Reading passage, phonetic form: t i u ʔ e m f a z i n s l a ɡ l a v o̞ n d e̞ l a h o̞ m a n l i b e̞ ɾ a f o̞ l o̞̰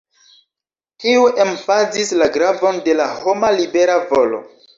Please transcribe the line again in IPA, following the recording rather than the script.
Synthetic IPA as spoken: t i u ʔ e m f a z i s l a ɡ ɾ a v o̞ n d e̞ l a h o̞ m a l i b e̞ ɾ a v o̞ l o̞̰